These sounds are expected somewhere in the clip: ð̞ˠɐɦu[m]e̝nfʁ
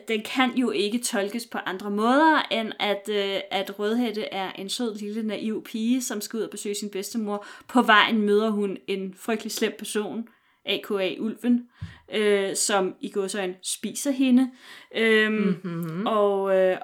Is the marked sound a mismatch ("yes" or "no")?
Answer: yes